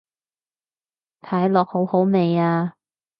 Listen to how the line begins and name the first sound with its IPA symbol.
t̪ʰ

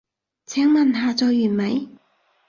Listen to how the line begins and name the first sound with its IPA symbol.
t͡sʰ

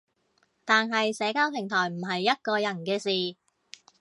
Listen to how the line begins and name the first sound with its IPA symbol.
t̪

